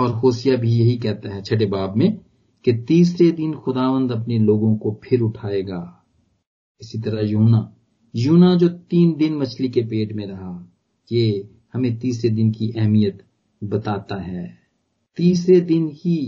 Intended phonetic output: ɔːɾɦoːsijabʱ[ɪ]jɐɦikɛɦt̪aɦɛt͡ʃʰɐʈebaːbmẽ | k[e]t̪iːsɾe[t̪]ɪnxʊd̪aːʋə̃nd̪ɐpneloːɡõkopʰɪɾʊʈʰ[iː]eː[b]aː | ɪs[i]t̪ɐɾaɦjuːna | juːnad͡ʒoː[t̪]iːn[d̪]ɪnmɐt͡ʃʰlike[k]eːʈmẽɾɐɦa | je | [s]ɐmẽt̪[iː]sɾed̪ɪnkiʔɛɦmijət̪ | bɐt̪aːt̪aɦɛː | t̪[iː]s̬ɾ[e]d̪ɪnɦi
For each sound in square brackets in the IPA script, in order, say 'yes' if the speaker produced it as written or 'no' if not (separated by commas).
no, yes, no, no, no, yes, yes, yes, no, no, yes, yes, yes